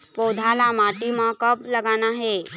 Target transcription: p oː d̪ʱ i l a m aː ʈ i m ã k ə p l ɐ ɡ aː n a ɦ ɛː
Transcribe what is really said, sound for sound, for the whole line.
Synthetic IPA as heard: p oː d̪ʱ a l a m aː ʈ i m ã k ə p l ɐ ɡ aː n a ɦ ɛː